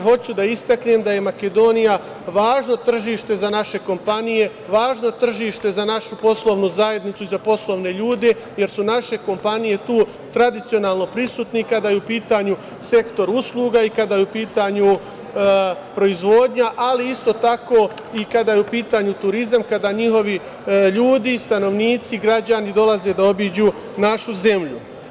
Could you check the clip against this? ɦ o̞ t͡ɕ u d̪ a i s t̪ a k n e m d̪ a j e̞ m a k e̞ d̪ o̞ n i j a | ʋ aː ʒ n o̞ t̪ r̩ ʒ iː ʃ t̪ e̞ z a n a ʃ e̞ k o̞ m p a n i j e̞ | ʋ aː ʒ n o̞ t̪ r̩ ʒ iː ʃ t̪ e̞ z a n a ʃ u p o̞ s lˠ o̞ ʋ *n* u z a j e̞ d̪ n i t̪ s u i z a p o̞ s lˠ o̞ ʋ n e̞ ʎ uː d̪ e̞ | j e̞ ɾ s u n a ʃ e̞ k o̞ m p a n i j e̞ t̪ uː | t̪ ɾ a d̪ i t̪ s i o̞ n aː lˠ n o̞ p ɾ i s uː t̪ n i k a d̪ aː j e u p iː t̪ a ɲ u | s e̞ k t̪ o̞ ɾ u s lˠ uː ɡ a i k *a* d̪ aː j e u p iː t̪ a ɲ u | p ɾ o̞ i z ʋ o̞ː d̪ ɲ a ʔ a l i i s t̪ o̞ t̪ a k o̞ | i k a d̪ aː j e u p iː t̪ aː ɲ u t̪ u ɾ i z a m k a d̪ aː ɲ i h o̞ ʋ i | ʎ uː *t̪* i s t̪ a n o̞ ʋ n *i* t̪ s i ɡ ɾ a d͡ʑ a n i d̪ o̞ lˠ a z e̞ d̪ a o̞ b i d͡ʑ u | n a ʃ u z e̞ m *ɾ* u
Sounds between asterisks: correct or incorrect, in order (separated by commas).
correct, correct, incorrect, incorrect, incorrect